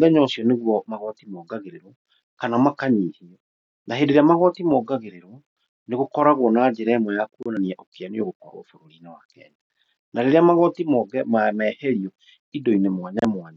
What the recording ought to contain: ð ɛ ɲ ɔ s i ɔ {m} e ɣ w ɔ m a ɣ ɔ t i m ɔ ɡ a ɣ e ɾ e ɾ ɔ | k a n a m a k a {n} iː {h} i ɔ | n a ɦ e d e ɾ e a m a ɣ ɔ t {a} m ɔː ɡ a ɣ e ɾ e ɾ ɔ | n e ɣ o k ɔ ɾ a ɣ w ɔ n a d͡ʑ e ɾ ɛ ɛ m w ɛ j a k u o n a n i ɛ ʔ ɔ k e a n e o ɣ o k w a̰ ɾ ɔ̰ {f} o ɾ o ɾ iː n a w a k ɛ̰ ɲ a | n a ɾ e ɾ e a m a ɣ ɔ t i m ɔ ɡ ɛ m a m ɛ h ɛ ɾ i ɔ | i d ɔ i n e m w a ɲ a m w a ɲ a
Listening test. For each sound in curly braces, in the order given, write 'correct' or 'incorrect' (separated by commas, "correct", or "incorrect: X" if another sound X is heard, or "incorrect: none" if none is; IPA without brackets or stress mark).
incorrect: n, incorrect: ɲ, correct, incorrect: i, correct